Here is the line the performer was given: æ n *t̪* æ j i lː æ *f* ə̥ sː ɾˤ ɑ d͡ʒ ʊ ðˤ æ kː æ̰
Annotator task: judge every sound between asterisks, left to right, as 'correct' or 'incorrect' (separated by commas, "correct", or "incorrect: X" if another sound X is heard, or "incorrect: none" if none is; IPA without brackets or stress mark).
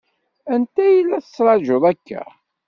correct, incorrect: θ